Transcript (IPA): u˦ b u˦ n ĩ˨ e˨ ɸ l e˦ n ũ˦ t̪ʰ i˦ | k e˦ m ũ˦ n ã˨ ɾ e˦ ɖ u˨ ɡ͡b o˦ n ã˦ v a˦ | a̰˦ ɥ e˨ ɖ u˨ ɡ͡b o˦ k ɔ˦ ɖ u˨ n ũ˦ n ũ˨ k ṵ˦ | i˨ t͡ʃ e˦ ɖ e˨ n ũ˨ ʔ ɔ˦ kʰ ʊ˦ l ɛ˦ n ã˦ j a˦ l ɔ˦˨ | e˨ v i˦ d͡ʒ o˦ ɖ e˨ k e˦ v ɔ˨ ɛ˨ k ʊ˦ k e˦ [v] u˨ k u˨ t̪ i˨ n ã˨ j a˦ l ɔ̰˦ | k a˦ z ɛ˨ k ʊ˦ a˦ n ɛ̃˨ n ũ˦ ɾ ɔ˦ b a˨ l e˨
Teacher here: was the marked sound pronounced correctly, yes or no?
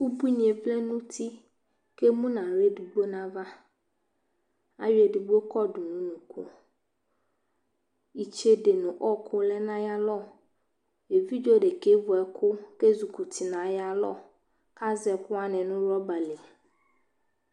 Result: no